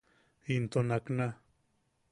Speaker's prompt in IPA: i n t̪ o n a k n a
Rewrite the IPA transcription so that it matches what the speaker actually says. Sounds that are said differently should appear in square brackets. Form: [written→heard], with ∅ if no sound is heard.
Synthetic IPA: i n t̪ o n a k n a

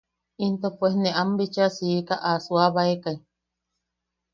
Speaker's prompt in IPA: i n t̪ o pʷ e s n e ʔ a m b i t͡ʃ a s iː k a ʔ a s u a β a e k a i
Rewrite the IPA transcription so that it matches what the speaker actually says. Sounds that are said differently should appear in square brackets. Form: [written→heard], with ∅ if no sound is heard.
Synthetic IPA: i n t̪ o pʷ e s n e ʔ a m b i t͡ʃ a s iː k a ʔ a s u a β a e k a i

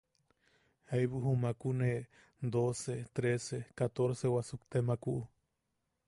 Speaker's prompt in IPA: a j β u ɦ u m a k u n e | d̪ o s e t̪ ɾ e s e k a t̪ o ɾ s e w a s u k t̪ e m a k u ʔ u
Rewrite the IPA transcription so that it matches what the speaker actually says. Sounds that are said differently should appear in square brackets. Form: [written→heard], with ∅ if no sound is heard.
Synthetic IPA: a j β u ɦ u m a k u n e | d̪ o s e t̪ ɾ e s e k a t̪ o ɾ s e w a s u k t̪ e m a k u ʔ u

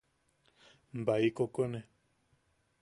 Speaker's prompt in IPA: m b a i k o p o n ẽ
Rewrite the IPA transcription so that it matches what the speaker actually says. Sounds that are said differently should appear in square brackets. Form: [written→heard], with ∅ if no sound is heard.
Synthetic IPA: m b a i k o [p→k] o n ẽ

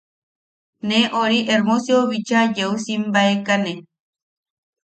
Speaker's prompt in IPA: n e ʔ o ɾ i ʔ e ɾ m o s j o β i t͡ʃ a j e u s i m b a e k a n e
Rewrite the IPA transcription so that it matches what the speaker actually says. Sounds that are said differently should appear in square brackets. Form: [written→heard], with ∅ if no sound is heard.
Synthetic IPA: n e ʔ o ɾ i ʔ e ɾ m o s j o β i t͡ʃ a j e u s i m b a e k a n e

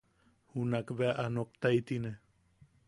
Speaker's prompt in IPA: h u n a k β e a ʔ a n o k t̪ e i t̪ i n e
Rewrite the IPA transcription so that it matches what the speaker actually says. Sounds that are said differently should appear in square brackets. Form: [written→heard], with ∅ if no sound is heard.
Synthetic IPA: h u n a k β e a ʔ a n o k t̪ [e→a] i t̪ i n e

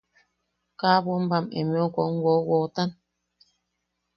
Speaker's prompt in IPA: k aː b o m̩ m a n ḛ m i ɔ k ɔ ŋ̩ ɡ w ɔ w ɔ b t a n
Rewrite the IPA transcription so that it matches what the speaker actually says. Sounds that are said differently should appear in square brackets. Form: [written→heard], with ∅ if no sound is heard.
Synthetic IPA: k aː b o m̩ [m→b] a [n→m] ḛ m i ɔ k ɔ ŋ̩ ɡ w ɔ w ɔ [b→∅] t a n

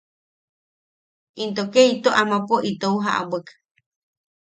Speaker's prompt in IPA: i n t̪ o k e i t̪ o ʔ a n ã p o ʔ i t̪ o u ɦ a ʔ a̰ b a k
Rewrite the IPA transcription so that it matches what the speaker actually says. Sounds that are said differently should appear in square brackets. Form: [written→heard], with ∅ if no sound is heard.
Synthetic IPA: i n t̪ o k e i t̪ o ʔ a [n→m] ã p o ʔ i t̪ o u ɦ a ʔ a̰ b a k

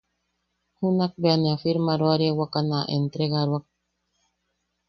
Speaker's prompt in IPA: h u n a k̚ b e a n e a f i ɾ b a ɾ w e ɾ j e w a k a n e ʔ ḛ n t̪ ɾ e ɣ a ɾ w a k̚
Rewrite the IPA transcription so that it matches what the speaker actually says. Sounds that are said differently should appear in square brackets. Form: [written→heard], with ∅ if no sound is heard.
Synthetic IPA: h u n a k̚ b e a n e a f i ɾ [b→m] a ɾ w [e→a] ɾ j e w a k a n [e→a] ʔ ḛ n t̪ ɾ e ɣ a ɾ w a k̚

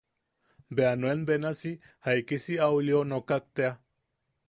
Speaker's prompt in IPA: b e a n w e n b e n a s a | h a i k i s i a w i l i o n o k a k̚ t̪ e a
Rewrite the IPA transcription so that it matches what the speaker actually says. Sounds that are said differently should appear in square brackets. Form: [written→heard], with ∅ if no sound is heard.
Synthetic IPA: b e a n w e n b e n a s [a→i] | h a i k i s i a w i l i o n o k a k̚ t̪ e a

